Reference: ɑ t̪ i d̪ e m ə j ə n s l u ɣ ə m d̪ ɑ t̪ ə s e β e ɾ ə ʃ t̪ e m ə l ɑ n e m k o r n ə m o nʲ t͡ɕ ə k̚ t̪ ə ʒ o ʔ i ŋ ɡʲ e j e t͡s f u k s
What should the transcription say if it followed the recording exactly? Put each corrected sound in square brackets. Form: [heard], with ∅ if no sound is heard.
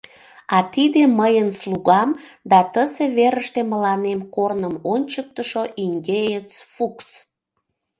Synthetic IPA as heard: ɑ t̪ i d̪ e m ə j ə n s l u ɣ [ɑ] m d̪ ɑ t̪ ə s e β e ɾ ə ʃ t̪ e m ə l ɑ n e m k o r n ə m o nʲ t͡ɕ ə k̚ t̪ ə [ʃ] o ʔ i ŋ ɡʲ e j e t͡s f u k s

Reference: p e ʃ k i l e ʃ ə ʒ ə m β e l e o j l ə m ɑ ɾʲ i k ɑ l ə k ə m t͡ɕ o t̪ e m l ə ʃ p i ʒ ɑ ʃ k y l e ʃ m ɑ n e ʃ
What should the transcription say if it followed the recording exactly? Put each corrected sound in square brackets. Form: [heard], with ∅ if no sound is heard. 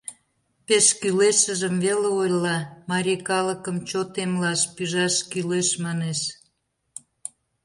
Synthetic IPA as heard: p e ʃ k [y] l e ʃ ə ʒ ə m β e l e o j l [ɑ] m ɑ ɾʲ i k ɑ l ə k ə m t͡ɕ o t̪ e m l [ɑ] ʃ p [y] ʒ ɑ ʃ k y l e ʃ m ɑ n e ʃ

